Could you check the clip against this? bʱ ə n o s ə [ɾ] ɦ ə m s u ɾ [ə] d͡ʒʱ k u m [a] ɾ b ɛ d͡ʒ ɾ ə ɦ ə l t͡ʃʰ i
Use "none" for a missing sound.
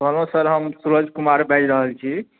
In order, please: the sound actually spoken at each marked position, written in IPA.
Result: ɾ, ə, a

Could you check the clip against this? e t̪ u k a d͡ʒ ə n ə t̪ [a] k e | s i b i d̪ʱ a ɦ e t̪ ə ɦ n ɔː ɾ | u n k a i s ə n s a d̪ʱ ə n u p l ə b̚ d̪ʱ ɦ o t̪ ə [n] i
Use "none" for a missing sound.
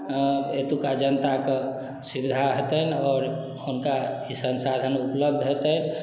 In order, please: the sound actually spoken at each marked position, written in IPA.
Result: a, n

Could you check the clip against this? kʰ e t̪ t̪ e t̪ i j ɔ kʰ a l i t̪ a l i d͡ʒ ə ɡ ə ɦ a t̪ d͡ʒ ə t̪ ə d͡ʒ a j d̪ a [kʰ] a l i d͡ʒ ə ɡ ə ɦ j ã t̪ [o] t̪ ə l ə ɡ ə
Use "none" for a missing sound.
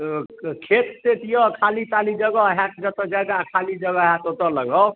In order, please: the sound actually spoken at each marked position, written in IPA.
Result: kʰ, o

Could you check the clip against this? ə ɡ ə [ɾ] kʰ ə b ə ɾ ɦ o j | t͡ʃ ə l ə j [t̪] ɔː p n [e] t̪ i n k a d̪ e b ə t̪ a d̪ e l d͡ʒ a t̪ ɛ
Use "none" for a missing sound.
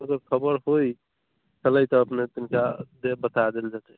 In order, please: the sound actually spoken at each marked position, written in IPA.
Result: ɾ, t̪, e

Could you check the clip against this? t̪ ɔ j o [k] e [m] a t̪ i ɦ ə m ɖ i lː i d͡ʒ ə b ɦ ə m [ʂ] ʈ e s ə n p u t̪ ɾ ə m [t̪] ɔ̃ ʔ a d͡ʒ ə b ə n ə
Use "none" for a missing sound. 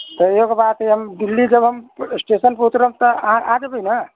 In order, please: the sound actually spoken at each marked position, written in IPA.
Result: k, b, s, t̪

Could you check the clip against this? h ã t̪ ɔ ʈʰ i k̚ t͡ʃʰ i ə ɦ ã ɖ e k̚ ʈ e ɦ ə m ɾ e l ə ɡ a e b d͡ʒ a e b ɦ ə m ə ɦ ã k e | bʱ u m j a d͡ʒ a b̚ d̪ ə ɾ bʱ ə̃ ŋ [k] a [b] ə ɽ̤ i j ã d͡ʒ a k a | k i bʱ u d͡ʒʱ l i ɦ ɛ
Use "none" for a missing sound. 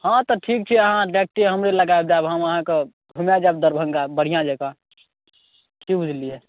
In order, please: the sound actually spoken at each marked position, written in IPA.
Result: ɡ, b

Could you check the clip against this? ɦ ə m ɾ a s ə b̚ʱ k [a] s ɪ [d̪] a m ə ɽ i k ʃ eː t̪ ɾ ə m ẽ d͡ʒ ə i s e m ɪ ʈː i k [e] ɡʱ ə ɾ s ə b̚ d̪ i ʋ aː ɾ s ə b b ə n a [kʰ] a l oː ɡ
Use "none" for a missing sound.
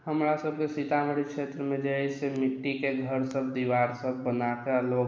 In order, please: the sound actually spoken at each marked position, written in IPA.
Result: e, t̪, e, k

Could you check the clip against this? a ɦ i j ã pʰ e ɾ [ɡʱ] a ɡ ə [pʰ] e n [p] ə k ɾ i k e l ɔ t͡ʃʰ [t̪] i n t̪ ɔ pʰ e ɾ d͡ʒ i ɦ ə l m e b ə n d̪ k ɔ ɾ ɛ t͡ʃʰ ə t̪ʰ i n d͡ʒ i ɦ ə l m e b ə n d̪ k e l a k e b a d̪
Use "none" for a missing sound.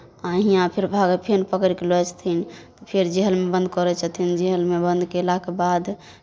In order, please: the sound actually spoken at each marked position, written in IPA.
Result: bʱ, pʰ, p, t̪ʰ

